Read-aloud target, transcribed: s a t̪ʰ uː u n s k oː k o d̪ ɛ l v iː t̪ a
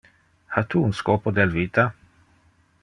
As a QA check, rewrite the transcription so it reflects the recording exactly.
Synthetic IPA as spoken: h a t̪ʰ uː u n s k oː p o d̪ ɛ l v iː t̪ a